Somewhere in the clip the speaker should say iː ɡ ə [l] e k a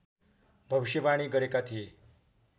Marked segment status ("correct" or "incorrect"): incorrect